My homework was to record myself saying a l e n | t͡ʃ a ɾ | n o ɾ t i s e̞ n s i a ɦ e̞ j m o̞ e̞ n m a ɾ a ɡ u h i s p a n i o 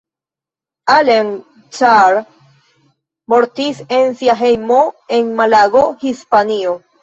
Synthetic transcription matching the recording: a l e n | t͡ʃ a ɾ | m o ɾ t i s e̞ n s i a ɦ e̞ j m o̞ e̞ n m a l a ɡ o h i s p a n i o